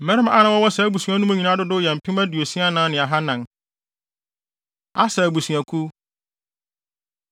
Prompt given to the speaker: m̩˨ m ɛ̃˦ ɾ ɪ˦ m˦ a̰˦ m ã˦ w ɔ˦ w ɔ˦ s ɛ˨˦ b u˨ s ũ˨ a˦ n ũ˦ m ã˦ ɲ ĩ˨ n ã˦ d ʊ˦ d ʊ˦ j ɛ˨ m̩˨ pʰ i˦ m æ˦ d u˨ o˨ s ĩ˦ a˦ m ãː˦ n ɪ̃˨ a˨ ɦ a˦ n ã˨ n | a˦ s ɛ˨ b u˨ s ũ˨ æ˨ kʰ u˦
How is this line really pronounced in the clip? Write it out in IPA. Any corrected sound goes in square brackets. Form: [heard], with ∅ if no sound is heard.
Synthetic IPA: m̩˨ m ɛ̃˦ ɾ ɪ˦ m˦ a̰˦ [n] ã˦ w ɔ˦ w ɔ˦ s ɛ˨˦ b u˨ s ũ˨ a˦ n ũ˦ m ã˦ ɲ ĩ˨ n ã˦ d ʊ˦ d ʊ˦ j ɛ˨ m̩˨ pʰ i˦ m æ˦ d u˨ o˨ s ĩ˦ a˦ [n] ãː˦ n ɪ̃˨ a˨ ɦ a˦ n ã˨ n | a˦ s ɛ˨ b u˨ s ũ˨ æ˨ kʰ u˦